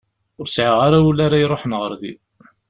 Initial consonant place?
alveolar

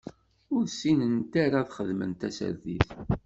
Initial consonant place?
alveolar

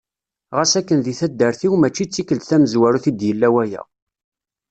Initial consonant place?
uvular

